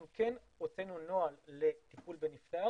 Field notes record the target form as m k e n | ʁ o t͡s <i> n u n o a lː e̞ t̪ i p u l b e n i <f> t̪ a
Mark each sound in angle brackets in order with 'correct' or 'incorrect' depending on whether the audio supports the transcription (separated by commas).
incorrect, correct